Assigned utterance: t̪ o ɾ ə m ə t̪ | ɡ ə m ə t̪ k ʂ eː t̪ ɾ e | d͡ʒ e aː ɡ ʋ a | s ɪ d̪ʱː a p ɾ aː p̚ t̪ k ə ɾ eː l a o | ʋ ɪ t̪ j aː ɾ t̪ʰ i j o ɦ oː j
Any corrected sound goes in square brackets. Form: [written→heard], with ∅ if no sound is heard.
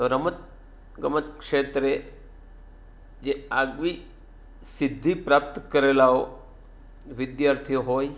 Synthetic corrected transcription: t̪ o ɾ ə m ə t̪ | ɡ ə m ə t̪ k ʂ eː t̪ ɾ e | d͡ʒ e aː ɡ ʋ [a→i] | s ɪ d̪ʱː [a→i] p ɾ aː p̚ t̪ k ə ɾ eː l a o | ʋ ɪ [t̪→d̪] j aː ɾ t̪ʰ i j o ɦ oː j